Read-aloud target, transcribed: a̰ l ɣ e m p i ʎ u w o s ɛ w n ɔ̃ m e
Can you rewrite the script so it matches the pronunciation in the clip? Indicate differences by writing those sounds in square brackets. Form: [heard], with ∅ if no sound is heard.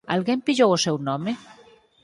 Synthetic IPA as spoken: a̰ l ɣ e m p i ʎ [o] w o s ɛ w n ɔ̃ m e